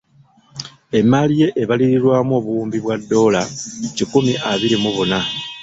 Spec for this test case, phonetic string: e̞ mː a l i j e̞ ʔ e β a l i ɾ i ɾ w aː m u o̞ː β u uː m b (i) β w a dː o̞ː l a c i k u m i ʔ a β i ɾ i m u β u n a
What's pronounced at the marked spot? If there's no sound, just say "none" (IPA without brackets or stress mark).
i